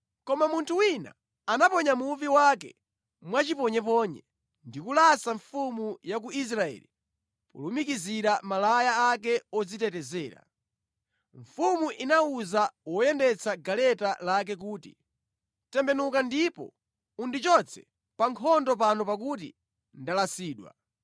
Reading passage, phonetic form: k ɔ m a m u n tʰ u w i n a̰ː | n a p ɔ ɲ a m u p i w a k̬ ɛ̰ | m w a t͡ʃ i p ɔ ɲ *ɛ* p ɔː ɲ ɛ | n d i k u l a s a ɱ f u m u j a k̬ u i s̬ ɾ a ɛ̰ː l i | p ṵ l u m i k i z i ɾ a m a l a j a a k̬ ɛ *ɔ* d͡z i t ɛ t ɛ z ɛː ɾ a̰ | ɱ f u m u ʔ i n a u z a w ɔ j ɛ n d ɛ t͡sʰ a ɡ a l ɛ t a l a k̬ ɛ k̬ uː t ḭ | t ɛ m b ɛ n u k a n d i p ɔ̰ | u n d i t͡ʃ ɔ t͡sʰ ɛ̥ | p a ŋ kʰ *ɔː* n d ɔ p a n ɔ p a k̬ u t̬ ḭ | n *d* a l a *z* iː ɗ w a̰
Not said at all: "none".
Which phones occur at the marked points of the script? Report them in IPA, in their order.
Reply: ɛ, ɔ, ɔ, d, s

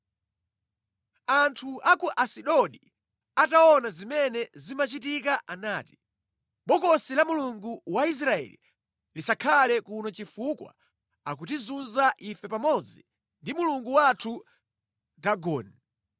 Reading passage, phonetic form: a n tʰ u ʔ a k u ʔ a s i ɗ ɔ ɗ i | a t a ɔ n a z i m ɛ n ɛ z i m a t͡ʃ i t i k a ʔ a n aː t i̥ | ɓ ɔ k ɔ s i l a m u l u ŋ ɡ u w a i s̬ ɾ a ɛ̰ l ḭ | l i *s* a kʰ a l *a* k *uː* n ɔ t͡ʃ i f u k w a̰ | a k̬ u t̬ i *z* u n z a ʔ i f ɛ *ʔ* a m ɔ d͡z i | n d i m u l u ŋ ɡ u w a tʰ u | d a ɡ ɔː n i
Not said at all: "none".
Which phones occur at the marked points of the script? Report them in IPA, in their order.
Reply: s, ɛ, u, z, p

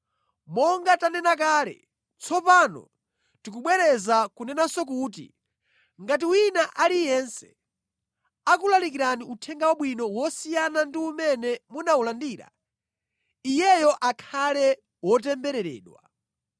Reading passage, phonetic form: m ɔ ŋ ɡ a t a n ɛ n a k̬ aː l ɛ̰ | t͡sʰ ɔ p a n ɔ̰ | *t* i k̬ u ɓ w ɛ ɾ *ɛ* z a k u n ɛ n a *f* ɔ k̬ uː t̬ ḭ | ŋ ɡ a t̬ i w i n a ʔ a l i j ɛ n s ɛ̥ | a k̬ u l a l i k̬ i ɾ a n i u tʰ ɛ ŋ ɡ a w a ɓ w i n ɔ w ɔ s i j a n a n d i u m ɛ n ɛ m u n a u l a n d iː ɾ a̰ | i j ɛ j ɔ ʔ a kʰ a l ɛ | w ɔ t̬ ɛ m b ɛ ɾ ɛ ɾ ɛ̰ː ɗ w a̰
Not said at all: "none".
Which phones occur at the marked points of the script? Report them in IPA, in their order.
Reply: t, ɛ, s

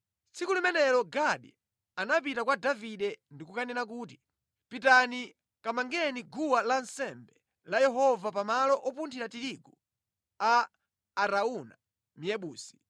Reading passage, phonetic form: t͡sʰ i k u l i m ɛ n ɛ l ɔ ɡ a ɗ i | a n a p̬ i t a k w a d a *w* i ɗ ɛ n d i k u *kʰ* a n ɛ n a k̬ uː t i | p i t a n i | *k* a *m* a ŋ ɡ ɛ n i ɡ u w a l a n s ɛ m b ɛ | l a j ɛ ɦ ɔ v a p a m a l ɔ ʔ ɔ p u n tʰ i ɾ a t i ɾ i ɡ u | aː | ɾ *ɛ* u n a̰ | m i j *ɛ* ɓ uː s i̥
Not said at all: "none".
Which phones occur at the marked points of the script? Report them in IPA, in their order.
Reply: v, k, k, m, a, ɛ

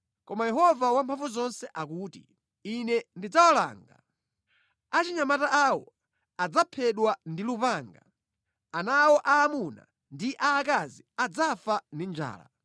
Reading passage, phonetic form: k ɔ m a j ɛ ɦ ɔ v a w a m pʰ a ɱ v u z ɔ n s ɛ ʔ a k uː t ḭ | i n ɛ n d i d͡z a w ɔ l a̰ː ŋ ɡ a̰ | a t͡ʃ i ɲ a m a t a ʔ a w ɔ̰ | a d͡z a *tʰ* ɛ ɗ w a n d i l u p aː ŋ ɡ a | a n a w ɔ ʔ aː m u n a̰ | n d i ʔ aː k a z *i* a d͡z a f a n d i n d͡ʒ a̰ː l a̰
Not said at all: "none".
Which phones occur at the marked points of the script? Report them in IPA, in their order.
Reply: pʰ, i

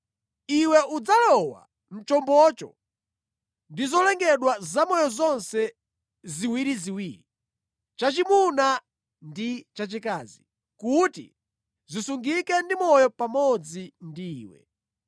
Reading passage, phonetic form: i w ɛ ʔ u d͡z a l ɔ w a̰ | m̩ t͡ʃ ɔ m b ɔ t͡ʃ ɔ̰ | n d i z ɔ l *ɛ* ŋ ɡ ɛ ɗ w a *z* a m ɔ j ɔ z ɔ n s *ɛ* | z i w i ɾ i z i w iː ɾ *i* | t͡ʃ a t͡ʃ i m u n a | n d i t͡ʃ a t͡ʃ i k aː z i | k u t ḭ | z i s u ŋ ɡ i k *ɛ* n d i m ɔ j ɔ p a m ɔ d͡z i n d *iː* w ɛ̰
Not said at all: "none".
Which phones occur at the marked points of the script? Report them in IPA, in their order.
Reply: ɛ, z, ɛ, i, ɛ, iː

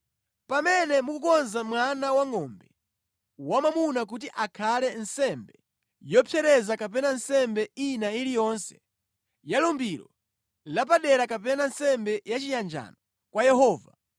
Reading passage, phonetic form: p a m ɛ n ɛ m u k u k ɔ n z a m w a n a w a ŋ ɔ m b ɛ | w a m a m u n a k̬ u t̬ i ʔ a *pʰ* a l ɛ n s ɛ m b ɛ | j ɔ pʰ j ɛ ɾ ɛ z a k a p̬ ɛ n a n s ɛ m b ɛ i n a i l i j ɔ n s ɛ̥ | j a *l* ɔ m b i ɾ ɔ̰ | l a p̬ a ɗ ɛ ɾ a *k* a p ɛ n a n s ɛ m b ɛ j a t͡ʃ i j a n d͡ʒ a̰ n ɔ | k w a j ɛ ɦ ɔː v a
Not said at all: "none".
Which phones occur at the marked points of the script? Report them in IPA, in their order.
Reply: kʰ, l, k

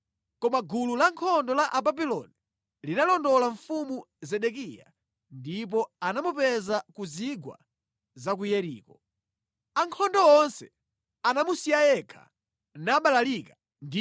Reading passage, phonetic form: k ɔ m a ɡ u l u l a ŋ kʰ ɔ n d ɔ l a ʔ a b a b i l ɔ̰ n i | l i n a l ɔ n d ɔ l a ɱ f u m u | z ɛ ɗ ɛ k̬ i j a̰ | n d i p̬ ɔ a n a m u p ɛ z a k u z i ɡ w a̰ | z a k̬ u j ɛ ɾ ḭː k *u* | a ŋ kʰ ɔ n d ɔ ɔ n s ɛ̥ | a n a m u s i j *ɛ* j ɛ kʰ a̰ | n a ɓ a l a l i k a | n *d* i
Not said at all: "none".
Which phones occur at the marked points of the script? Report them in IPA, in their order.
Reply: ɔ, a, d

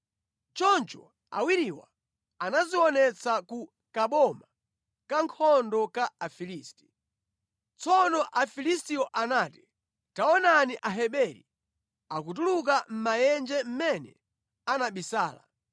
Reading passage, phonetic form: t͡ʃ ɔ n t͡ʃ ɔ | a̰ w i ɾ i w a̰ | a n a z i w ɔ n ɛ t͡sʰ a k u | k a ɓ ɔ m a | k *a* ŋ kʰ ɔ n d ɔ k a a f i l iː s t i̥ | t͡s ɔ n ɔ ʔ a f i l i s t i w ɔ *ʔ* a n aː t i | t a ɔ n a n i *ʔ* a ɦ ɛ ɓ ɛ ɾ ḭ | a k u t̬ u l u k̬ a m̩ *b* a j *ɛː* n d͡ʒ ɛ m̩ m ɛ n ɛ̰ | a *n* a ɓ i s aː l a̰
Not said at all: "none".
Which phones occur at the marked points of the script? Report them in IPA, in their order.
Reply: a, ʔ, ʔ, m, ɛ, n

